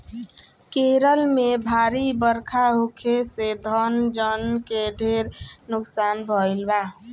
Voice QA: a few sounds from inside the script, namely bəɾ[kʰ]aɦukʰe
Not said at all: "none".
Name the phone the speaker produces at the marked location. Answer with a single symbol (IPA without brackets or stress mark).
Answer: kʰ